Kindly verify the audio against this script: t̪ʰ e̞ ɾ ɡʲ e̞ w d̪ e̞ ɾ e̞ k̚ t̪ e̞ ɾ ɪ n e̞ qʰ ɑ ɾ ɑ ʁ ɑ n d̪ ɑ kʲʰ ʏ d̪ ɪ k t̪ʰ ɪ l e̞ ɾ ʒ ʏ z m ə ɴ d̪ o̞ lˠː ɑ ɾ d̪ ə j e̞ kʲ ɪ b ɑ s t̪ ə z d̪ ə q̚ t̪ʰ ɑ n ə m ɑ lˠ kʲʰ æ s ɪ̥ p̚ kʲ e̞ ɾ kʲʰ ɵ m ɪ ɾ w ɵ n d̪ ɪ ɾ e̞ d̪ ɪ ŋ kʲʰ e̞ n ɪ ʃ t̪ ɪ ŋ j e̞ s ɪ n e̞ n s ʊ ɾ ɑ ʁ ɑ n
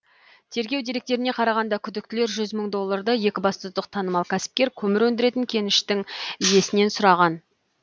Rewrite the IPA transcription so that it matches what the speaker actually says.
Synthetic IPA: t̪ʰ e̞ ɾ ɡʲ e̞ w d̪ e̞ ɾ e̞ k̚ t̪ e̞ ɾ ɪ n e̞ qʰ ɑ ɾ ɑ ʁ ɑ n d̪ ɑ kʲʰ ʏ d̪ ɪ k t̪ ɪ l e̞ ɾ ʒ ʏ z m ə ɴ d̪ o̞ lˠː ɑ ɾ d̪ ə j e̞ kʲ ɪ b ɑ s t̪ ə z d̪ ə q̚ t̪ʰ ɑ n ə m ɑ lˠ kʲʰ æ s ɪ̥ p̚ kʲ e̞ ɾ kʲʰ ɵ m ɪ ɾ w ɵ n d̪ ɪ ɾ e̞ t̪ ɪ ŋ kʲʰ e̞ n ɪ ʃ t̪ ɪ ŋ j e̞ s ɪ n e̞ n s ʊ ɾ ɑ ʁ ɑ n